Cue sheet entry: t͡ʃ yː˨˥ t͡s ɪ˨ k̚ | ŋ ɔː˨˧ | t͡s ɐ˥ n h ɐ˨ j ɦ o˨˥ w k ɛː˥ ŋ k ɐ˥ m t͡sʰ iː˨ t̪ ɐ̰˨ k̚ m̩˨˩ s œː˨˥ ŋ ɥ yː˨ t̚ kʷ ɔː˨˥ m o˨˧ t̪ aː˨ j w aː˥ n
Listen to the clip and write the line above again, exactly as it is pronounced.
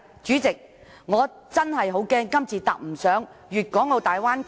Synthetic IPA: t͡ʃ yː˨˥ t͡s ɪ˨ k̚ | ŋ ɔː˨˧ | t͡s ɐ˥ n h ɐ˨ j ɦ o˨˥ w k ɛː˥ ŋ k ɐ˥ m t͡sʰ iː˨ t̪ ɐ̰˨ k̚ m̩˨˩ s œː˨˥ ŋ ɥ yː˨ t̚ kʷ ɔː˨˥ ŋ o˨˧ t̪ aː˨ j w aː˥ n